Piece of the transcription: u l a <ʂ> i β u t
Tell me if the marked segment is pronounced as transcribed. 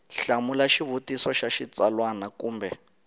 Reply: no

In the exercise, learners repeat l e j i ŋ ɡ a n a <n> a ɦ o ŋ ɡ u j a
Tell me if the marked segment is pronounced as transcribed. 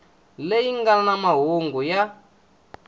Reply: no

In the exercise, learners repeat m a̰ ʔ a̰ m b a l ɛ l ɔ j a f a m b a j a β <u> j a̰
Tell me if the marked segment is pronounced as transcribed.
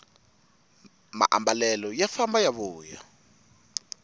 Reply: no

